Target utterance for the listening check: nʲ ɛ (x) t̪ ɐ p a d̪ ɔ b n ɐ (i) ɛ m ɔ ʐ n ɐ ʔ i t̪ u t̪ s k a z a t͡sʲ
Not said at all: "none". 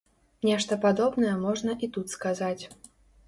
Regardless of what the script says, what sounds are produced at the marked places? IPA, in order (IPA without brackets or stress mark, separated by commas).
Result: ʂ, j